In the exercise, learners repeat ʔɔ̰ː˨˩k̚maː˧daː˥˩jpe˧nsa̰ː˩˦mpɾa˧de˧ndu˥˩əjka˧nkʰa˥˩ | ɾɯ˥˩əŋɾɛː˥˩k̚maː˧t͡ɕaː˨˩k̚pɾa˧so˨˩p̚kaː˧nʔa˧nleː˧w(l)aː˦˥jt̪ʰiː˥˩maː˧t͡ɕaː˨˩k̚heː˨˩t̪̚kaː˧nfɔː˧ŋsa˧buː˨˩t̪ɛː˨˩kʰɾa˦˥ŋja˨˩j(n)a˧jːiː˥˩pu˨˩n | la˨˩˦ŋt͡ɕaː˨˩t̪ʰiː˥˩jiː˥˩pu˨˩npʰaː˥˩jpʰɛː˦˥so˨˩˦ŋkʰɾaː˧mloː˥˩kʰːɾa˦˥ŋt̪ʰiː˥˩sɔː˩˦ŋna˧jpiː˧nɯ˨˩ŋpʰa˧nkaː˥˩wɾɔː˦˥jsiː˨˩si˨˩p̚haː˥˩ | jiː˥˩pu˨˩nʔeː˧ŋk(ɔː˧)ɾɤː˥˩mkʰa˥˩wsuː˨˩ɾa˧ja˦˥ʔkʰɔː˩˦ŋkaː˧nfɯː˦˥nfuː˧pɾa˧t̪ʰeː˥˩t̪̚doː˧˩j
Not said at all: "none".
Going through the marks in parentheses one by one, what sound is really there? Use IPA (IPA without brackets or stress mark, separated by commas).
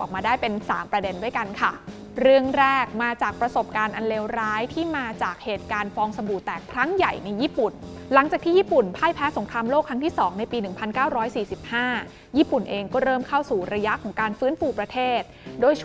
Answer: ɾ, n, ɔː˥˩